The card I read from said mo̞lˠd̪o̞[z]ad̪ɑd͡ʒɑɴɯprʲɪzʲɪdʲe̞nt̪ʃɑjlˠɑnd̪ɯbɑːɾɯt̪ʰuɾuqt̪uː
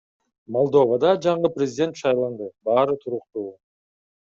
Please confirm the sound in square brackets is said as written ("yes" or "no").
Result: no